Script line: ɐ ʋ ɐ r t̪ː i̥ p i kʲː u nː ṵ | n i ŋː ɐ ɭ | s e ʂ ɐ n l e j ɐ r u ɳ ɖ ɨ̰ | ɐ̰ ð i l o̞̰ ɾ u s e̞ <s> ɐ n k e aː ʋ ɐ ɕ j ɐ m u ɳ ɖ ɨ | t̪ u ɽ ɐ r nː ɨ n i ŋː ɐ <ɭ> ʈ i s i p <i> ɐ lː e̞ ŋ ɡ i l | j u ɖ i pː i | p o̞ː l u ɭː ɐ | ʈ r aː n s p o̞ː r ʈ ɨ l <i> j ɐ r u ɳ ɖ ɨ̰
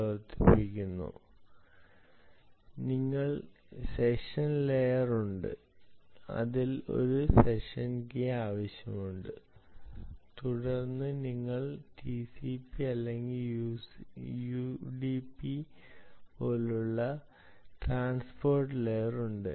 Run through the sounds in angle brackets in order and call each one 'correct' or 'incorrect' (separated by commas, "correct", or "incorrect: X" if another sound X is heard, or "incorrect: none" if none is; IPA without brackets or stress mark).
incorrect: ʂ, correct, correct, incorrect: e